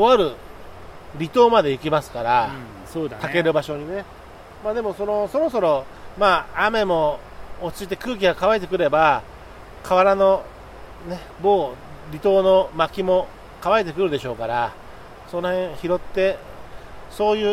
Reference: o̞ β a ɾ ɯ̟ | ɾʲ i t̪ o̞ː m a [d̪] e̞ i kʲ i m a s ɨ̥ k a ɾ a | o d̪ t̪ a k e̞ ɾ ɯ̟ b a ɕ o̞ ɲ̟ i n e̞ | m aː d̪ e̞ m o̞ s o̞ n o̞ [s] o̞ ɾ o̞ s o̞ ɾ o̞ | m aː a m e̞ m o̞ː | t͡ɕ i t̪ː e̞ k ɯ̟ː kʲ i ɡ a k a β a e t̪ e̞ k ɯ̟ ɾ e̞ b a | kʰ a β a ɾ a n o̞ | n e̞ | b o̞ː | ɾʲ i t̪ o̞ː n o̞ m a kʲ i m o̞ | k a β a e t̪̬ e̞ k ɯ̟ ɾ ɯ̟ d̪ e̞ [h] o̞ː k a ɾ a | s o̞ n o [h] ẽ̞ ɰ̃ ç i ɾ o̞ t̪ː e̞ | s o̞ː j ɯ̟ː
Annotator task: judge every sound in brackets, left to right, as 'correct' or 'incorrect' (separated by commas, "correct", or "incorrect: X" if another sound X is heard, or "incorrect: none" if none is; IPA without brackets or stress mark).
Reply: correct, correct, incorrect: ɕ, correct